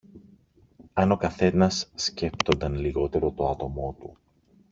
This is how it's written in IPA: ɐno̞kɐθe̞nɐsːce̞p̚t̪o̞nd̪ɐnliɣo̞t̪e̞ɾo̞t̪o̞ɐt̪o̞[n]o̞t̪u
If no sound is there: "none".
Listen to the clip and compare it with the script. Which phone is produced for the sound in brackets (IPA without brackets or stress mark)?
m